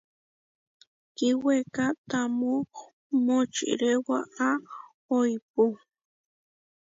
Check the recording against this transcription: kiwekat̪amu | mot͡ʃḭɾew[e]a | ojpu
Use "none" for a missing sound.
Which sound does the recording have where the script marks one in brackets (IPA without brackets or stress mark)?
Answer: a